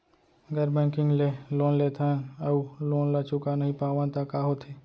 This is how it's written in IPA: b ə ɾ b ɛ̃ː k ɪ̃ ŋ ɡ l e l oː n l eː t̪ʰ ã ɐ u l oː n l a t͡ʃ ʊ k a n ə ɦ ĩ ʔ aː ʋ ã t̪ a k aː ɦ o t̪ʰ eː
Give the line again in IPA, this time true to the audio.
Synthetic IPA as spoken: ɡ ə ɾ b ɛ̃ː k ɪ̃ ŋ ɡ l e l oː n l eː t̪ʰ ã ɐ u l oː n l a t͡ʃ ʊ k a n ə ɦ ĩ p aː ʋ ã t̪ a k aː ɦ o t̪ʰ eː